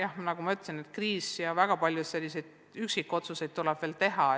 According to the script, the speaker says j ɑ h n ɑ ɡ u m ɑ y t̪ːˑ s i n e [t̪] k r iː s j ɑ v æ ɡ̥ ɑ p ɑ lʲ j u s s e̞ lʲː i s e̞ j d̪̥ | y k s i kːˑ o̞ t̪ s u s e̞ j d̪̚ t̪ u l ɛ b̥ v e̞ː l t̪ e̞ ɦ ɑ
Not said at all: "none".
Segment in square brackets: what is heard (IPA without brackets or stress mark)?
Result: t̪